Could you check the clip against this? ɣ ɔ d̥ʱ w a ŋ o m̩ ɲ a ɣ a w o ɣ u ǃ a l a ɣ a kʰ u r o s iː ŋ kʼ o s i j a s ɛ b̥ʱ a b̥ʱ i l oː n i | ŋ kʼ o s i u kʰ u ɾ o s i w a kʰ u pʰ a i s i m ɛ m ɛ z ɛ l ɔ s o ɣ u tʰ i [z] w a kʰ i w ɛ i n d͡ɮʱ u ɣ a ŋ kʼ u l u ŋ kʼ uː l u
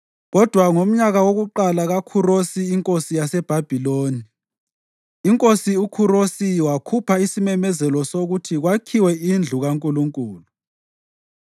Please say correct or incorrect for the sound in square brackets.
incorrect